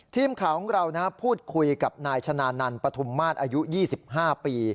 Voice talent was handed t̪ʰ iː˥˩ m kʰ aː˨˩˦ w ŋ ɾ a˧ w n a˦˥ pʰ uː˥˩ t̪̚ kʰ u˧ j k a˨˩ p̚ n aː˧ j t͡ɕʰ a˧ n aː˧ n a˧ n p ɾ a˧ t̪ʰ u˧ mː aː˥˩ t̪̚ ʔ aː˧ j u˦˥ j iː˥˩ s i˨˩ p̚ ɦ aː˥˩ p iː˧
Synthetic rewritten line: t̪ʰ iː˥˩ m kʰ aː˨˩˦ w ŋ ɾ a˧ w n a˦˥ pʰ uː˥˩ t̪̚ kʰ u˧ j k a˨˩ p̚ n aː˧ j t͡ɕʰ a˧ n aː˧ n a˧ n p ɾ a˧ t̪ʰ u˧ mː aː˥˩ t̪̚ ʔ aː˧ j u˦˥ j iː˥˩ s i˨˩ p̚ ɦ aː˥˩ p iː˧

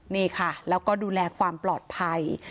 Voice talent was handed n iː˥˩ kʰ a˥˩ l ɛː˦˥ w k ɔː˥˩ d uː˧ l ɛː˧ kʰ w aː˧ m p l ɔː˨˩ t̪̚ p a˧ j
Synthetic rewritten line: n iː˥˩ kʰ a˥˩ l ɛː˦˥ w k ɔː˥˩ d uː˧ l ɛː˧ kʰ w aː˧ m p l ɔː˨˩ t̪̚ pʰ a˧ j

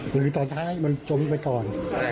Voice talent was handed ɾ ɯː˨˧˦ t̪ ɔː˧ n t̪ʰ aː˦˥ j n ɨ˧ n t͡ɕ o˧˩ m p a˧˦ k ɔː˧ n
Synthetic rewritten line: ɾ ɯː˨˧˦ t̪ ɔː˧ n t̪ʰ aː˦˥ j m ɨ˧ n t͡ɕ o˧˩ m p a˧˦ k ɔː˧ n

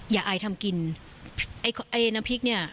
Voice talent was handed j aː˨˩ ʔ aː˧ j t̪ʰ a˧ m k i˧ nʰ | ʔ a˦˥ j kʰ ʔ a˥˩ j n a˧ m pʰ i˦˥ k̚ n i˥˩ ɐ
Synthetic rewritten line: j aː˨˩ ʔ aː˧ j t̪ʰ a˧ m k i˧ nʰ | ʔ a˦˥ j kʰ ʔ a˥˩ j n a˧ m pʰ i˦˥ k̚ n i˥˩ ɐ

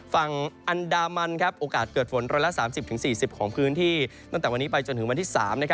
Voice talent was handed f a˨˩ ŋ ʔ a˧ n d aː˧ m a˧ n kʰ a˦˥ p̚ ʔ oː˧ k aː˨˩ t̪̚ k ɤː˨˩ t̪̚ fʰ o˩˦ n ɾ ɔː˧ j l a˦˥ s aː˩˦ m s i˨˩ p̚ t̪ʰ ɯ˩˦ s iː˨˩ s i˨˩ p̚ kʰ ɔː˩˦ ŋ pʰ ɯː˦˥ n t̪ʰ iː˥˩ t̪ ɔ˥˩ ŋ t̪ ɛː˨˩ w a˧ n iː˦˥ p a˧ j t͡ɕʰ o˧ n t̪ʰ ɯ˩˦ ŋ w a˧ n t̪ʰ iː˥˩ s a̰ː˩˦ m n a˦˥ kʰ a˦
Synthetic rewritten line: f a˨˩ ŋ ʔ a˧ n d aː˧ m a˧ n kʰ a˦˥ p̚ ʔ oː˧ k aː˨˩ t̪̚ k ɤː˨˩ t̪̚ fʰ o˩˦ n ɾ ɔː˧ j l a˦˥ s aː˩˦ m s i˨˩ p̚ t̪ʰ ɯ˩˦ s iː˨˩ s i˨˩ p̚ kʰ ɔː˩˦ ŋ pʰ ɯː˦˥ n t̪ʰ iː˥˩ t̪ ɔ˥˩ ŋ t̪ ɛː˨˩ w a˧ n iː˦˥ p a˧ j t͡ɕ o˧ n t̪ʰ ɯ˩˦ ŋ w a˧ n t̪ʰ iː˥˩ s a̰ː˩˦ m n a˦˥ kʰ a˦

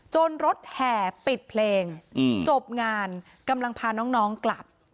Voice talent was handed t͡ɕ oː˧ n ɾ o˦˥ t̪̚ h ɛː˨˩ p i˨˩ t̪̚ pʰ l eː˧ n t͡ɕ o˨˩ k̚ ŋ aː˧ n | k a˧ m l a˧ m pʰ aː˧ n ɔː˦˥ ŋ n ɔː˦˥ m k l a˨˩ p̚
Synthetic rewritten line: t͡ɕ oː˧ n ɾ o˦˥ t̪̚ h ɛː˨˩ p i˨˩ t̪̚ pʰ l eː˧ ŋ t͡ɕ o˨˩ p̚ ŋ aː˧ n | k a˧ m l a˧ ŋ pʰ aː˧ n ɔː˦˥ ŋ n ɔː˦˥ ŋ k l a˨˩ p̚

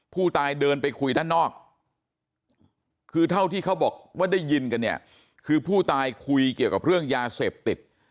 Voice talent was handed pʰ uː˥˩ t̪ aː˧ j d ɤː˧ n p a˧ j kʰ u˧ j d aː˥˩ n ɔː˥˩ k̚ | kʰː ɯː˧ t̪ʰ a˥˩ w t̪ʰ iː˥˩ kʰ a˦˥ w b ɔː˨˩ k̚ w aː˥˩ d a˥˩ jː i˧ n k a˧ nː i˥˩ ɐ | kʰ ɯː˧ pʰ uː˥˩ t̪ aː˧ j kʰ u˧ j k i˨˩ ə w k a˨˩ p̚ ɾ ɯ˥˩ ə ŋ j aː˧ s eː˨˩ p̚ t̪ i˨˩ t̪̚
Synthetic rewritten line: pʰ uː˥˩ t̪ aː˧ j d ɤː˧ n p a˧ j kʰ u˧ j d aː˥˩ n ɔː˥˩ k̚ | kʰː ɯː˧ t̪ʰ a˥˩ w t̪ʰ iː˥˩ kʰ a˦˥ w b ɔː˨˩ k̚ w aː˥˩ d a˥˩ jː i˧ n k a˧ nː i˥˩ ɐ | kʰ ɯː˧ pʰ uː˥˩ t̪ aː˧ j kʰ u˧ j k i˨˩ ə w k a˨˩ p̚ ɾ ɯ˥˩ ə ŋ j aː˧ s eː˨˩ p̚ t̪ i˨˩ t̪̚

